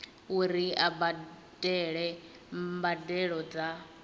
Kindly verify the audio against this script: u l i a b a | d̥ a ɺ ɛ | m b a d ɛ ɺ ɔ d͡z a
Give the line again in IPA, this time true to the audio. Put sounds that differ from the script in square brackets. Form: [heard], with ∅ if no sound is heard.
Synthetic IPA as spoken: u [ɾ] i a b a | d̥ [ɛ] ɺ ɛ | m b a d ɛ ɺ ɔ d͡z a